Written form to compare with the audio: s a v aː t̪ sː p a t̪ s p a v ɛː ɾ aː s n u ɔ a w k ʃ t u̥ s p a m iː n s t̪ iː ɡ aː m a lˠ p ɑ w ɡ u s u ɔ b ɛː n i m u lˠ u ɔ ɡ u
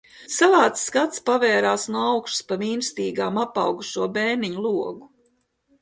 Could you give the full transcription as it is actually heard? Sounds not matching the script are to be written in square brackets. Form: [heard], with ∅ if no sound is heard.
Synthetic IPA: s a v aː t̪ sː [k] a t̪ s p a v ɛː ɾ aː s n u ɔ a w k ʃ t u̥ s p a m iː n s t̪ iː ɡ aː m a [∅] p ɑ w ɡ u [ʃ] u ɔ b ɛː n i [ɲ] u lˠ u ɔ ɡ u

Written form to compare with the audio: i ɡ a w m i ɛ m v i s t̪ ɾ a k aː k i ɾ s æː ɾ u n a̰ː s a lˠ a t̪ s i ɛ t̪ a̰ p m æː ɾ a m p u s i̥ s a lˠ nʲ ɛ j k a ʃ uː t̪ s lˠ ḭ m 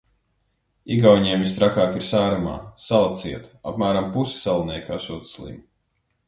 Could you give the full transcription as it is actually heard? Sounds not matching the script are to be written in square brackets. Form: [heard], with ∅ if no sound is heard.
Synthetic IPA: i ɡ a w [ɲ] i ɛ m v i s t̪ ɾ a k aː k i ɾ s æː ɾ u [m] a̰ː s a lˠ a t̪ s i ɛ t̪ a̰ p m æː ɾ a m p u s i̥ s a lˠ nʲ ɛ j k a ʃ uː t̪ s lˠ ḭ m

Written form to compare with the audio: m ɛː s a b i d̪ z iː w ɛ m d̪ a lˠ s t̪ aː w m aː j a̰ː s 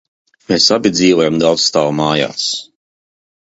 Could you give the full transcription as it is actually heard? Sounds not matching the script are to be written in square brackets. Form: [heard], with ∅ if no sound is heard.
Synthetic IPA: m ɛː s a b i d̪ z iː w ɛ m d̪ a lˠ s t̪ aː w m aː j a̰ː s

